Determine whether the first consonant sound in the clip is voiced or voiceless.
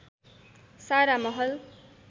voiceless